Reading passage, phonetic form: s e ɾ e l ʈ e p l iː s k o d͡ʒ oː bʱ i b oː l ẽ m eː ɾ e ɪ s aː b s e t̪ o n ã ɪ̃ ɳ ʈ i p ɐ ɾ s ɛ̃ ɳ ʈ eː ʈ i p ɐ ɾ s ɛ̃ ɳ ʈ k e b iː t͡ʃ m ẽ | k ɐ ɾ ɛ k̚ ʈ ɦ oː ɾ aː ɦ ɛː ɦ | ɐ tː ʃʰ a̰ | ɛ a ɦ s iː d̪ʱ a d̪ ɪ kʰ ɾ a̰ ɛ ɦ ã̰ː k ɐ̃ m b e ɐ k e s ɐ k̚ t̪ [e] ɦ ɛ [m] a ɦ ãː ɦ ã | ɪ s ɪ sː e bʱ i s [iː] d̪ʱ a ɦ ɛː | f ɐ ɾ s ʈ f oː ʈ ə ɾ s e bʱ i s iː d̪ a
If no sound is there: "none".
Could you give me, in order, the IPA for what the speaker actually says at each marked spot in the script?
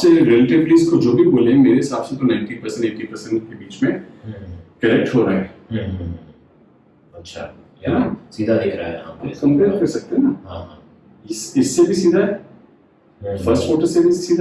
e, n, iː

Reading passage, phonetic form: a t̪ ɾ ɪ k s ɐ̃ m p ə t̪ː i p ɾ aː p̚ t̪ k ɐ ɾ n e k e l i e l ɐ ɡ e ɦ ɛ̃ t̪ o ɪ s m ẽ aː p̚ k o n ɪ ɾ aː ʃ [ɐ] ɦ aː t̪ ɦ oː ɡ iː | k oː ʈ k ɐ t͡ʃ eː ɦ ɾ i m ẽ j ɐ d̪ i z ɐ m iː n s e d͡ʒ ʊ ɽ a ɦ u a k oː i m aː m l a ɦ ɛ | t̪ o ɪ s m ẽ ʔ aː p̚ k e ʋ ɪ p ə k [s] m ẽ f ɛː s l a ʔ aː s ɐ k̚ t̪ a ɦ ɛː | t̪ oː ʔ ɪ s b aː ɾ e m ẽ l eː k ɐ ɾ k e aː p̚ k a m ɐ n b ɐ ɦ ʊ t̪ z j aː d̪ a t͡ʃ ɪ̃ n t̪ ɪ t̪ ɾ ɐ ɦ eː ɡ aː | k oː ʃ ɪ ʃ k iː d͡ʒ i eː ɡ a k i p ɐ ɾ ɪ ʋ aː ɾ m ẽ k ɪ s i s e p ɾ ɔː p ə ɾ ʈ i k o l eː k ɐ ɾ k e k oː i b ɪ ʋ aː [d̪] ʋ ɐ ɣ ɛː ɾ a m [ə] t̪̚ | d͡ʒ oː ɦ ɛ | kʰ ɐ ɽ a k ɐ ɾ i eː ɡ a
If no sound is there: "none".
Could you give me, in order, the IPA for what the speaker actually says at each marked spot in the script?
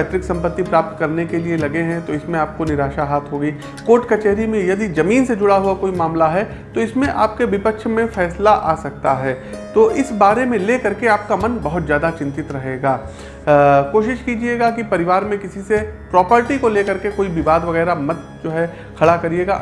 a, ʃ, d̪, ɐ

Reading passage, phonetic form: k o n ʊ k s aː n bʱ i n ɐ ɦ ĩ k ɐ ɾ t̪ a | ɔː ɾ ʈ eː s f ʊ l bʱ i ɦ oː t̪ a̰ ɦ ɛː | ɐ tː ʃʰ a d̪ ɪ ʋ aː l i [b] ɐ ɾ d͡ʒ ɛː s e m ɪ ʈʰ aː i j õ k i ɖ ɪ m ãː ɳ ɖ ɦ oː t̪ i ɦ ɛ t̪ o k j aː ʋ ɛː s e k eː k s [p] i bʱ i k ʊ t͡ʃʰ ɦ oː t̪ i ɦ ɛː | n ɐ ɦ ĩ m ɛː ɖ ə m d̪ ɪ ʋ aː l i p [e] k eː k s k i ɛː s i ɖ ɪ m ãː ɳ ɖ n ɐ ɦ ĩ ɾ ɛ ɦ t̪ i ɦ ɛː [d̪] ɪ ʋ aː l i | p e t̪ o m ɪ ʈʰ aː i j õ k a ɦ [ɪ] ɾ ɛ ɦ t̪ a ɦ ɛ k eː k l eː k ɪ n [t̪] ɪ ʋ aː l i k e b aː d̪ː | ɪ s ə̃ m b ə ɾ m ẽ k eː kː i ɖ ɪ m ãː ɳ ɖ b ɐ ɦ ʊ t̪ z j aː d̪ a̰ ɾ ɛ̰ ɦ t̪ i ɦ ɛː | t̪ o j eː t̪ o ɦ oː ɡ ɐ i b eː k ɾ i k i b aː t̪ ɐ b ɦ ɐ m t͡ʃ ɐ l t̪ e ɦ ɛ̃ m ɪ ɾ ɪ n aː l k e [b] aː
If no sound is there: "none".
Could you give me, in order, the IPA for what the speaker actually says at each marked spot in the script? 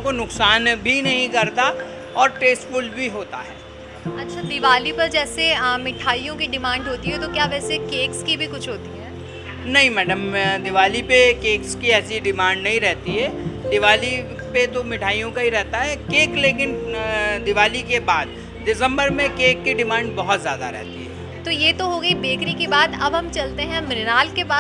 p, k, e, d̪, i, d̪, b

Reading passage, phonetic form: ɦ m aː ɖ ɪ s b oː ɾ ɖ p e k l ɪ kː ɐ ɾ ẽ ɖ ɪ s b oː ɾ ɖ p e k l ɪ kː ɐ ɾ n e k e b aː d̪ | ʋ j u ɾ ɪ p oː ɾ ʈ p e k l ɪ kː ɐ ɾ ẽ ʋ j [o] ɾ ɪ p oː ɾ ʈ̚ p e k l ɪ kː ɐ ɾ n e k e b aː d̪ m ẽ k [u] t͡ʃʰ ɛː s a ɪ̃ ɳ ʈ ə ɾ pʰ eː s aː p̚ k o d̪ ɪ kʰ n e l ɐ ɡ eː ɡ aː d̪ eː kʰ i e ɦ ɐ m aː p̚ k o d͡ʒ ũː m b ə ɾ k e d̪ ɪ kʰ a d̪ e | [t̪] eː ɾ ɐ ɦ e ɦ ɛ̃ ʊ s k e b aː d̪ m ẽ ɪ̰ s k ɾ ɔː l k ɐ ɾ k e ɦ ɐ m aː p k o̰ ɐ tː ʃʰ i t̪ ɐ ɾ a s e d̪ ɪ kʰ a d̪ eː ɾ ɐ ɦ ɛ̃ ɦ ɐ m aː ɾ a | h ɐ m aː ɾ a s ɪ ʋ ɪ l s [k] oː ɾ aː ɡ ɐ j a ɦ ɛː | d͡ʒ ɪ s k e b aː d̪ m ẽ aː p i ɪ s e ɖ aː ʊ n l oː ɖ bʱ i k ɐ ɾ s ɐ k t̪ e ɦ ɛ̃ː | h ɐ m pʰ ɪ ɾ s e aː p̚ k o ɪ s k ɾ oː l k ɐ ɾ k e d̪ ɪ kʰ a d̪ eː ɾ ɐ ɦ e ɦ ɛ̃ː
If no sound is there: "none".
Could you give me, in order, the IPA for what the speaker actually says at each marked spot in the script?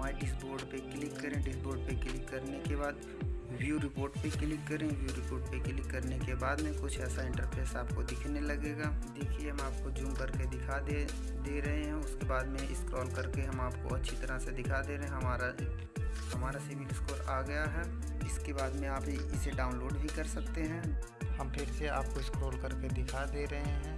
u, ʊ, d̪, k

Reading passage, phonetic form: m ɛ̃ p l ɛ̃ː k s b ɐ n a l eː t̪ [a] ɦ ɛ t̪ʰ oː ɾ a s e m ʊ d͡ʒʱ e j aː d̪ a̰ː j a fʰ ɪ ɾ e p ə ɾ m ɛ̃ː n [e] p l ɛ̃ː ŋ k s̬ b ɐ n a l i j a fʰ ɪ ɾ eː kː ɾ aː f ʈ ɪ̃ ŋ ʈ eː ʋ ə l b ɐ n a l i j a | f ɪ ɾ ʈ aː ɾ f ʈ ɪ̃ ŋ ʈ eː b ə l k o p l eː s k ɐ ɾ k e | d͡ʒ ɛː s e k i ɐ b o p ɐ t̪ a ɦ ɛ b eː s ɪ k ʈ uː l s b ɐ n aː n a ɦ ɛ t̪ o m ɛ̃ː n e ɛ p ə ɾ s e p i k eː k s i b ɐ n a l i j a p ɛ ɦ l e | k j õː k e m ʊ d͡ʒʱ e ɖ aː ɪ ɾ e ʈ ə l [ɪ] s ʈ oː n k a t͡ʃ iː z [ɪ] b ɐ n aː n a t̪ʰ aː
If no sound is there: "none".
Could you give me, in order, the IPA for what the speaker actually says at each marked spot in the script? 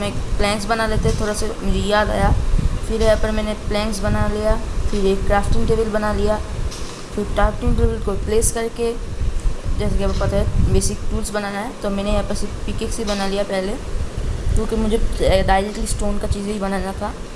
e, e, i, i

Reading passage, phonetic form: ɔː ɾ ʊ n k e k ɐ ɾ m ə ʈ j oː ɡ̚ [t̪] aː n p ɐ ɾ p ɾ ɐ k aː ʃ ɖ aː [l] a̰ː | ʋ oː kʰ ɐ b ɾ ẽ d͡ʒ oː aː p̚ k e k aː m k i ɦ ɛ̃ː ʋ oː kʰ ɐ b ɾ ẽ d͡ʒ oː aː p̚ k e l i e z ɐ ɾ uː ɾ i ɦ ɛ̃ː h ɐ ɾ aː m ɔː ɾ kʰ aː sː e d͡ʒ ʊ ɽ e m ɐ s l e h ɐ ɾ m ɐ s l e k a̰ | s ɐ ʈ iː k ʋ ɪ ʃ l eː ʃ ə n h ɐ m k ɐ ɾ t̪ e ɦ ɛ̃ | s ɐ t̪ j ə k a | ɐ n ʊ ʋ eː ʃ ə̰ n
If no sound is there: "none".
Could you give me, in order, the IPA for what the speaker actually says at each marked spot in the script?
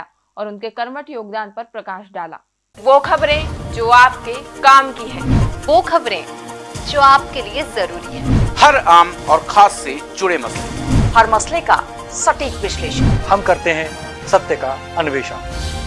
d̪, l

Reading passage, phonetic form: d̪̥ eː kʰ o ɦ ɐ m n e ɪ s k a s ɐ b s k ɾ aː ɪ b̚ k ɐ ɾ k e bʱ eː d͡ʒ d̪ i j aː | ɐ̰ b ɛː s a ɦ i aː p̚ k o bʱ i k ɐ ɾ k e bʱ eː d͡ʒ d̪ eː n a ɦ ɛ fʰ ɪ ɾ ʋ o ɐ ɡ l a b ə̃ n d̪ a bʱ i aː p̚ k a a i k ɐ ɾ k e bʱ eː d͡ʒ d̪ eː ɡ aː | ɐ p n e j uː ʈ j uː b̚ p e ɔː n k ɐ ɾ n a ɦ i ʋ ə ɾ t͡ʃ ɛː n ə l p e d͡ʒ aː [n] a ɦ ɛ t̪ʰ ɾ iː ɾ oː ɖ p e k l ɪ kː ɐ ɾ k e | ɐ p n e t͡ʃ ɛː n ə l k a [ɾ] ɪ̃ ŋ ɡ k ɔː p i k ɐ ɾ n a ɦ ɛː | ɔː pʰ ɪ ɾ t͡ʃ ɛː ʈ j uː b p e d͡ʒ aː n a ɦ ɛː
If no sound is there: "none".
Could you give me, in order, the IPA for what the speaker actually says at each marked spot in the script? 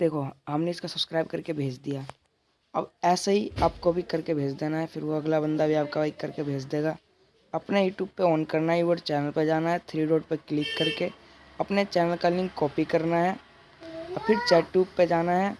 n, l

